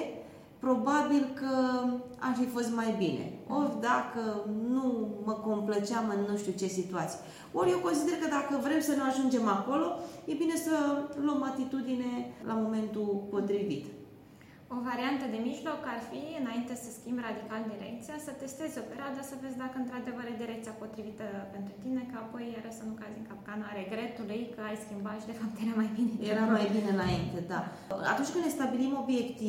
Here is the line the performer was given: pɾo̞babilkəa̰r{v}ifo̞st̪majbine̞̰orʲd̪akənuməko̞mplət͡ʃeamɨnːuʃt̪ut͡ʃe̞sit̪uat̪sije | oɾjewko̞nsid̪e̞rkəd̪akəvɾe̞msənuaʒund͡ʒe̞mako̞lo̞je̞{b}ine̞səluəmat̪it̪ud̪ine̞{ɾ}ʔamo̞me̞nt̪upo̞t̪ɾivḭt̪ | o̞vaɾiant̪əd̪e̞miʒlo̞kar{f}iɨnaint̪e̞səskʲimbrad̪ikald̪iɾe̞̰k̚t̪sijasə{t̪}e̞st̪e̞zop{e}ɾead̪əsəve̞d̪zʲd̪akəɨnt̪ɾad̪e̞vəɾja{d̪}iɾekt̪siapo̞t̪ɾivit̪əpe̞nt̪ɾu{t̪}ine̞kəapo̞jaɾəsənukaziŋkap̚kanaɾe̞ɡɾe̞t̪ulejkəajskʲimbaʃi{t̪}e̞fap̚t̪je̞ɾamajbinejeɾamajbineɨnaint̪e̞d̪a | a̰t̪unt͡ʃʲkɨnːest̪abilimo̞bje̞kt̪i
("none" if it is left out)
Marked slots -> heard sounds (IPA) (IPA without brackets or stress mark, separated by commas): f, b, l, f, t̪, e, d̪, t̪, d̪